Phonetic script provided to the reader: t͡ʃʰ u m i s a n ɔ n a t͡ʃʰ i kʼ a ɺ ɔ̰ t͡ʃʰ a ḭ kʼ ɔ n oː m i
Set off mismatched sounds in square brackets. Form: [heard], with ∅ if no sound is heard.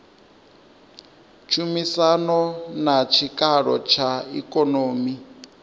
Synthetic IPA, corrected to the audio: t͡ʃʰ u m i s a n ɔ n a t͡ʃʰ i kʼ a ɺ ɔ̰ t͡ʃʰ a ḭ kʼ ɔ n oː m i